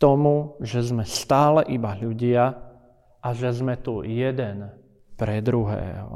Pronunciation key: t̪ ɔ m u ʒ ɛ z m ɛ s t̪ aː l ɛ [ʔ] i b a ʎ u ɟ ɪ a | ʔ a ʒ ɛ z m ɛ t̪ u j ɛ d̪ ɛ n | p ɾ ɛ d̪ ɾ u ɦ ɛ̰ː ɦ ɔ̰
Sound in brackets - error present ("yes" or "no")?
no